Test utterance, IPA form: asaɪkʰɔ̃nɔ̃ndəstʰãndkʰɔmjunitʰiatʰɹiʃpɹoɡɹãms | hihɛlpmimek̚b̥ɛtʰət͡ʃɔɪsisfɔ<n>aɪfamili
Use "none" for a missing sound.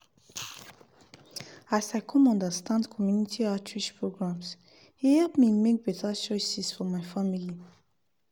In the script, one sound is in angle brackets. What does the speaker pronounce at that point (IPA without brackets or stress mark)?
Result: m